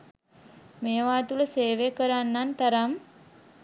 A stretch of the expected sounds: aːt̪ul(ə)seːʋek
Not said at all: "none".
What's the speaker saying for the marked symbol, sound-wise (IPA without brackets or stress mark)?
ə